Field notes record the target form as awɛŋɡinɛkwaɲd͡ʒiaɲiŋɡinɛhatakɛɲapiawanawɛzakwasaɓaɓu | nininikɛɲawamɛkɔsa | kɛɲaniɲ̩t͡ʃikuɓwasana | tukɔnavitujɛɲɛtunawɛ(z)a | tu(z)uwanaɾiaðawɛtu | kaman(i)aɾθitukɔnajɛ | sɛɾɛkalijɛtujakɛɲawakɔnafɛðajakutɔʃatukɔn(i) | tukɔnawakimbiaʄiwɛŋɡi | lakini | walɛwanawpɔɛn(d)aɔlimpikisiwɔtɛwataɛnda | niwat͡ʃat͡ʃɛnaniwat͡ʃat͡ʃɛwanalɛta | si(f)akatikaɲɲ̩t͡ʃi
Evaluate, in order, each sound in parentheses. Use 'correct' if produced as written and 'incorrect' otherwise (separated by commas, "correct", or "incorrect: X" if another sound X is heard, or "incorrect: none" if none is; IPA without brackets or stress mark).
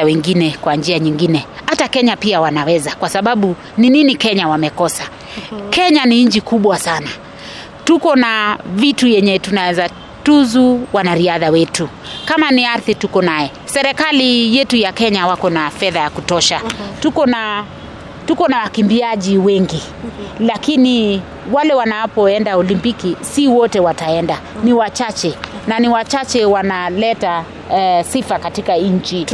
correct, correct, correct, incorrect: a, correct, correct